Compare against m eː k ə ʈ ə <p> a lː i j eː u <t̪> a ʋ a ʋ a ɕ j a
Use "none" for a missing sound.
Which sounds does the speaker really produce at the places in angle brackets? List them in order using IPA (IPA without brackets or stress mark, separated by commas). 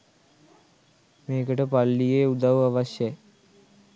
p, d̪